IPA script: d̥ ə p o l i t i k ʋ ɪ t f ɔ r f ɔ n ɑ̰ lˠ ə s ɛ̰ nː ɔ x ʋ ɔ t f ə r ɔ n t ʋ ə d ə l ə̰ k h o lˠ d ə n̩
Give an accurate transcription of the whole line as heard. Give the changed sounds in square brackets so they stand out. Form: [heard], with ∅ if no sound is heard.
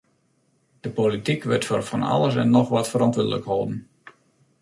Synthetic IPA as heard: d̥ ə p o l i t i k ʋ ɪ t f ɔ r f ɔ n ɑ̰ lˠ ə s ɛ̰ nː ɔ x ʋ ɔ t f ə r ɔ n t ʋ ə d ə l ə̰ k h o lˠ d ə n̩